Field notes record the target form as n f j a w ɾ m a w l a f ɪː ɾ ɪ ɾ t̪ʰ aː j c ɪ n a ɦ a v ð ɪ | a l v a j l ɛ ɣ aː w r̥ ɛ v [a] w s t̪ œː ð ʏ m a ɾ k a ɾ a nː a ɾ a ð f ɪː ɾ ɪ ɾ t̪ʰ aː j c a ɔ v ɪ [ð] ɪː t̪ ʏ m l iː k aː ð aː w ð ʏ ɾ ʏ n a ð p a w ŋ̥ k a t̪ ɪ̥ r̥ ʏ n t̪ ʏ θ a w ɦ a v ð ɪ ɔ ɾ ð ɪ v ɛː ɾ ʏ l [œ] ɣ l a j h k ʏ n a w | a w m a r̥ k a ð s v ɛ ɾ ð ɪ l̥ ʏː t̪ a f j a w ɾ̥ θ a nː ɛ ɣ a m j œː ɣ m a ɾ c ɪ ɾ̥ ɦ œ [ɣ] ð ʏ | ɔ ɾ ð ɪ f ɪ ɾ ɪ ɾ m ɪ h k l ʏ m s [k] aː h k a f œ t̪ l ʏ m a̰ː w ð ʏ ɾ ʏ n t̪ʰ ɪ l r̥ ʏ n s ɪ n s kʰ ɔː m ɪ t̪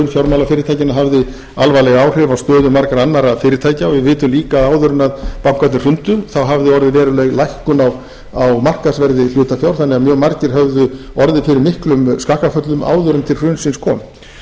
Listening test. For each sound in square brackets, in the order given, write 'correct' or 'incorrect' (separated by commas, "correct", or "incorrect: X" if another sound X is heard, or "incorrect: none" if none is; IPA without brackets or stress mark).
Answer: correct, incorrect: v, incorrect: ɛ, incorrect: v, correct